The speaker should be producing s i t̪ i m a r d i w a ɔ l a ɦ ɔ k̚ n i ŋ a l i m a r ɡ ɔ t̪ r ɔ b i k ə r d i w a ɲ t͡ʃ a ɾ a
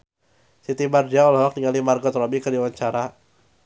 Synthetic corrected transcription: s i t̪ i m a r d i a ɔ l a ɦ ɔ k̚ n i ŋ a l i m a r ɡ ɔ t̪ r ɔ b i k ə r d i w a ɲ t͡ʃ a ɾ a